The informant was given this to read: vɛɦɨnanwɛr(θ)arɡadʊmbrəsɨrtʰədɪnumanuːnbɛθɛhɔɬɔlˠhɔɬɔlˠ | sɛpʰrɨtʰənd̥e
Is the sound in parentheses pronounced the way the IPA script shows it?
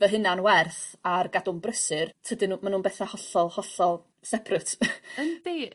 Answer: yes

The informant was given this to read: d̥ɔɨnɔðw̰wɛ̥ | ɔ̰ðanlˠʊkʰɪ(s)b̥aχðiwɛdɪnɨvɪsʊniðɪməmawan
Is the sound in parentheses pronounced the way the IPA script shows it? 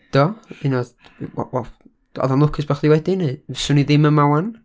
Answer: yes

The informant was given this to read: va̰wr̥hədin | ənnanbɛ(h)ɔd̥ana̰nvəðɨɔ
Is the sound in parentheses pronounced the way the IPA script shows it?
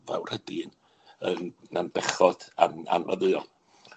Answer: no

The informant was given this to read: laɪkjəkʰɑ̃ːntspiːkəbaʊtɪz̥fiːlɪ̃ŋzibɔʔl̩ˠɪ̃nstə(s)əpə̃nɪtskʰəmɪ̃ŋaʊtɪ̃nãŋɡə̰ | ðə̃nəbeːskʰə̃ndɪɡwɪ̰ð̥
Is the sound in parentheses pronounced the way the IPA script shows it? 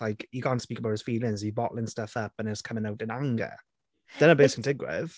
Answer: no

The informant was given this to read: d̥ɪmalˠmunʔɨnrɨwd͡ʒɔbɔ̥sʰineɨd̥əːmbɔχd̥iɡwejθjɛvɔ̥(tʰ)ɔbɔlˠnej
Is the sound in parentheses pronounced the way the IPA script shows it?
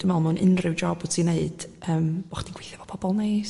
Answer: no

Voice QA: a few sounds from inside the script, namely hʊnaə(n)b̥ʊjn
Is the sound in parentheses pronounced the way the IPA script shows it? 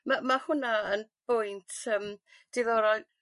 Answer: yes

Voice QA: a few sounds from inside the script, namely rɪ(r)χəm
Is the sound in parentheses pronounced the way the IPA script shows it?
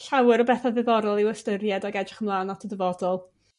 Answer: no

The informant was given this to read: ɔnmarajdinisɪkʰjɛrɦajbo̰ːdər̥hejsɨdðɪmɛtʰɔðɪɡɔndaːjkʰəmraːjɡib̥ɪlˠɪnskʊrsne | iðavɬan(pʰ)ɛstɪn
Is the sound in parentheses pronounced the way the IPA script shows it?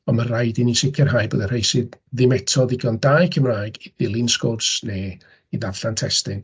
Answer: no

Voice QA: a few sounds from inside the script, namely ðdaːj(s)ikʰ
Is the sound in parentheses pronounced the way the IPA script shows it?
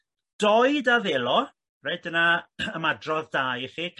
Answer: no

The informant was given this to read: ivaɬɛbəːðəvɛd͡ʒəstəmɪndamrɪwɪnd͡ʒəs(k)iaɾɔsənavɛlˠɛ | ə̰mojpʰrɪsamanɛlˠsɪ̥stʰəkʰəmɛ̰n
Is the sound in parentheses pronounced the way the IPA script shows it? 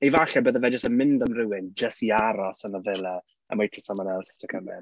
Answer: no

